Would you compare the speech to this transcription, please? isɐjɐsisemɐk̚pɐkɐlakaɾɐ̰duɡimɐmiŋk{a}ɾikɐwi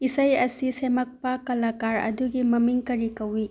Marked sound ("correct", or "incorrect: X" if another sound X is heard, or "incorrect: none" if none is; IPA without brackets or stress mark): incorrect: ɐ